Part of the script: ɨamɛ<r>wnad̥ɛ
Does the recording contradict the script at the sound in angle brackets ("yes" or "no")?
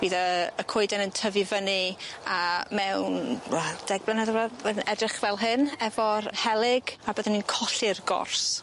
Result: yes